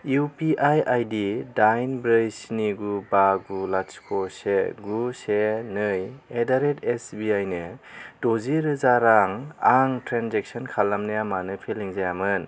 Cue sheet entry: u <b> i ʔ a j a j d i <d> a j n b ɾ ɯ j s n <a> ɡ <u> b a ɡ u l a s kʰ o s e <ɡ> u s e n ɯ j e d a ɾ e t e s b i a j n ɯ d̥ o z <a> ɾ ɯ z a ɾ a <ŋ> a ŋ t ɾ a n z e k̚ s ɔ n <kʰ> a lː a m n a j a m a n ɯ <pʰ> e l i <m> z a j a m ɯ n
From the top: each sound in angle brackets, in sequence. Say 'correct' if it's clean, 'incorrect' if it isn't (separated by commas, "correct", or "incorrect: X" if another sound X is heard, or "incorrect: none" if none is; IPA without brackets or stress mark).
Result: incorrect: p, correct, incorrect: i, correct, correct, incorrect: i, correct, correct, correct, incorrect: ŋ